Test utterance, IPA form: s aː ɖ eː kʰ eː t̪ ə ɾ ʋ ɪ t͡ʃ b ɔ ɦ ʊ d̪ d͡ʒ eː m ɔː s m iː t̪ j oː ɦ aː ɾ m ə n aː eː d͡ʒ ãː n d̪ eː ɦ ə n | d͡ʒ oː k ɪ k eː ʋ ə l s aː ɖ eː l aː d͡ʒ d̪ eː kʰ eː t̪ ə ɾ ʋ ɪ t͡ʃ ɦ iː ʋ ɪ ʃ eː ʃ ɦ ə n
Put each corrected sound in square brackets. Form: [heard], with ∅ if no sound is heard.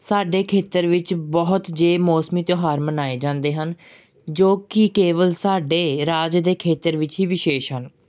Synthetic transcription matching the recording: s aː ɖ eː kʰ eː t̪ ə ɾ ʋ ɪ t͡ʃ b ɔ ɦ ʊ [t̪] d͡ʒ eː m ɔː s m iː t̪ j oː ɦ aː ɾ m ə n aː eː d͡ʒ ãː n d̪ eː ɦ ə n | d͡ʒ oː k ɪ k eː ʋ ə l s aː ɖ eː [ɾ] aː d͡ʒ d̪ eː kʰ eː t̪ ə ɾ ʋ ɪ t͡ʃ ɦ iː ʋ ɪ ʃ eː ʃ ɦ ə n